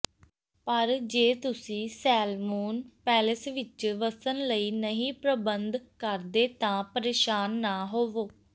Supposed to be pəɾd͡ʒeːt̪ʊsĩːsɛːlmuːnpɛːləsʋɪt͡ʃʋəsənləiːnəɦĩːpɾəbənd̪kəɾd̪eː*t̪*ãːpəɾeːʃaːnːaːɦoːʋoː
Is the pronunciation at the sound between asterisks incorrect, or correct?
correct